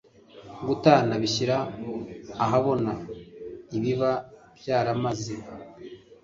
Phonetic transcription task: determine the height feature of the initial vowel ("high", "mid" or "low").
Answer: high